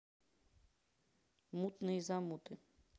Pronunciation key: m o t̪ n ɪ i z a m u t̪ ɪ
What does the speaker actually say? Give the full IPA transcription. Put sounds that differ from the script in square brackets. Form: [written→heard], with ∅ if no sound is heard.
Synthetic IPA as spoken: m [o→u] t̪ n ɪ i z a m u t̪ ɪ